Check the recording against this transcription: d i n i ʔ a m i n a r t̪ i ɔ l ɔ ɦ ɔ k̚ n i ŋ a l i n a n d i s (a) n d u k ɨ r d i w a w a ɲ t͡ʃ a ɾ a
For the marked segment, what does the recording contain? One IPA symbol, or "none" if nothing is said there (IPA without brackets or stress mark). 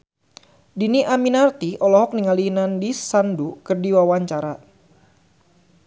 a